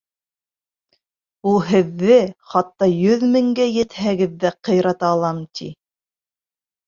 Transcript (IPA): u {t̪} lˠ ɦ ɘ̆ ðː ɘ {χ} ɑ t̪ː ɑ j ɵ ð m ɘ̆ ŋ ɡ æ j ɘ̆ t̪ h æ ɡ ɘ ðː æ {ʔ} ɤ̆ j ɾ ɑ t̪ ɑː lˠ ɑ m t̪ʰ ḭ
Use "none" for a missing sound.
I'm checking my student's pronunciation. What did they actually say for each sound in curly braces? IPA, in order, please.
none, χ, q

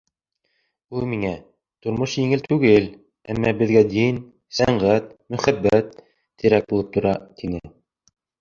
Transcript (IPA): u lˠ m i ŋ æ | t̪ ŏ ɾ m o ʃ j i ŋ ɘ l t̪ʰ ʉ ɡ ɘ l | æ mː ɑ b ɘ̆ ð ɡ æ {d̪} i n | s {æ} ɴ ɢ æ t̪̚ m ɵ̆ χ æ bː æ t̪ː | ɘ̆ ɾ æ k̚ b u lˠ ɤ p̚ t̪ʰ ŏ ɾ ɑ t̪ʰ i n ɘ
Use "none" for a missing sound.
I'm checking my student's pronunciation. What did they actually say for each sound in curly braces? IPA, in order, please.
d̪, æ

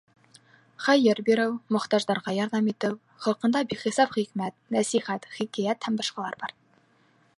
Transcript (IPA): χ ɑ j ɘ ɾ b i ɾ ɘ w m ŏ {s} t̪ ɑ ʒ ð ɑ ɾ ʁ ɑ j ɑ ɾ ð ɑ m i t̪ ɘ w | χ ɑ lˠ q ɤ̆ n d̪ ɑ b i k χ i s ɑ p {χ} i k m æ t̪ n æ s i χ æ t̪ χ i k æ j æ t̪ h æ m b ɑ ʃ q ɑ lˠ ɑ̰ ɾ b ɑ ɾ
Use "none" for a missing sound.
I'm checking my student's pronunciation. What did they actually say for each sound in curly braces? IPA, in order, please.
χ, χ

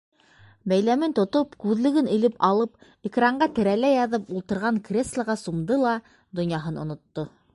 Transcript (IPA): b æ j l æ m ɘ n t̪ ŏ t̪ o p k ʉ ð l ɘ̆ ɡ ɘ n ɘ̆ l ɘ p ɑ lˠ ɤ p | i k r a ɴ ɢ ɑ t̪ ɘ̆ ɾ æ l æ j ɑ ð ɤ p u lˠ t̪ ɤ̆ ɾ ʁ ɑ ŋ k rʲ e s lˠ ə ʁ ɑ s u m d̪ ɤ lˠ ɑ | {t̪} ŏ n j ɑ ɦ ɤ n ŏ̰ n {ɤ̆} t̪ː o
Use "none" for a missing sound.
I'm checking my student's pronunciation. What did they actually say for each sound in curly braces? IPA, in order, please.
d̪, ŏ

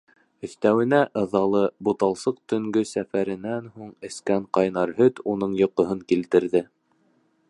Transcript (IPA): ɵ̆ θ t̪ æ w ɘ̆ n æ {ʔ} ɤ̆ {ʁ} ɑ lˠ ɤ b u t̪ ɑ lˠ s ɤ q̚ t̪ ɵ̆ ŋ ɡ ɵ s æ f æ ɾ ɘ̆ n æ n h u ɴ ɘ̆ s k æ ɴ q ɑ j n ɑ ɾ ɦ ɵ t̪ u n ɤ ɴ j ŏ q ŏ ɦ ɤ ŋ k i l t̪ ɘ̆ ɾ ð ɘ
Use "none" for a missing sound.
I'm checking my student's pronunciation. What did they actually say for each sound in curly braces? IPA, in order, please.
ʔ, ð

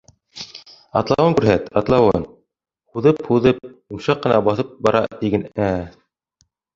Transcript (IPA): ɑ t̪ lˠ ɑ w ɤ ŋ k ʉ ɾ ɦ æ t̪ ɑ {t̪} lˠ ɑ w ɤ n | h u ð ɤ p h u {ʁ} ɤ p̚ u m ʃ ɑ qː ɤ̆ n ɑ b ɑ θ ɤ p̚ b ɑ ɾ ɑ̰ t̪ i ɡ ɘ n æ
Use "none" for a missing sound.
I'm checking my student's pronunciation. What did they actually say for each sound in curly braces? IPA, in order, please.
t̪, ð

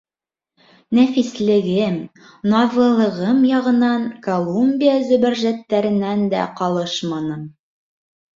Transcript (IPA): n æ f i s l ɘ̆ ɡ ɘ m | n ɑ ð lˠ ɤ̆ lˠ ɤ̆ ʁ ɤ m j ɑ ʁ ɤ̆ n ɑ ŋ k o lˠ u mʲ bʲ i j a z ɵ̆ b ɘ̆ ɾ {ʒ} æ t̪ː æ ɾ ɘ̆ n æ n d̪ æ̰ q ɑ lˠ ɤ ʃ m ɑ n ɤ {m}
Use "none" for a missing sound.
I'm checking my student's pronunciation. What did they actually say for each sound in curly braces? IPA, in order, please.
ʒ, m

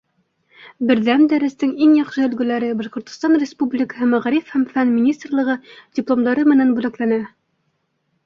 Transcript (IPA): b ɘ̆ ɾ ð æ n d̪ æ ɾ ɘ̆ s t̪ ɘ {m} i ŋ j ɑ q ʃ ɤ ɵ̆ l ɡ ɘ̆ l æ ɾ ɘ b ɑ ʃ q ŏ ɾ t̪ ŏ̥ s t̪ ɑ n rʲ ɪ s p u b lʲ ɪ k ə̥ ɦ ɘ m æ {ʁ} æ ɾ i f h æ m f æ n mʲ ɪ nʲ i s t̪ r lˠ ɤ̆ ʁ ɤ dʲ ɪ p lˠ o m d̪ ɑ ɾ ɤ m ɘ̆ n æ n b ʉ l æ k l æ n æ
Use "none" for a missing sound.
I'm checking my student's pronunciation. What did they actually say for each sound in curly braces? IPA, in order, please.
ŋ, ʁ

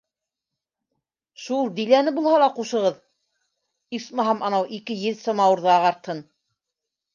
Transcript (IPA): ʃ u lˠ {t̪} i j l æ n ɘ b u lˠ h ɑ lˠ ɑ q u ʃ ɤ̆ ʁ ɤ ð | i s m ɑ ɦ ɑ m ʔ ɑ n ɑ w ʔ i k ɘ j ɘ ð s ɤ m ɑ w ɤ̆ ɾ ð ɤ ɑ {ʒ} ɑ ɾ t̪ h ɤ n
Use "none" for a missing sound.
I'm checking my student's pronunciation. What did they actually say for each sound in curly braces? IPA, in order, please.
d̪, ʁ

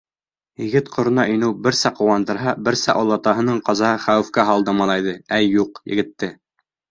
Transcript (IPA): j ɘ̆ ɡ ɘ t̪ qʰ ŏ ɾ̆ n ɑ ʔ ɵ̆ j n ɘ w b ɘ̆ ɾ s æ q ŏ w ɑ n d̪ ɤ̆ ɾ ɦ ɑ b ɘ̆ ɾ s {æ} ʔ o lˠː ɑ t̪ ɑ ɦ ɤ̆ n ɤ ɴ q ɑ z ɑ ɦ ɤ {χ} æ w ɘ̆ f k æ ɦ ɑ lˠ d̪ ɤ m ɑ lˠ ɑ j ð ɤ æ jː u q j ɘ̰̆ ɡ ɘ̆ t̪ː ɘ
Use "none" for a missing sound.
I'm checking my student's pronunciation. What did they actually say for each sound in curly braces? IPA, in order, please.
æ, χ

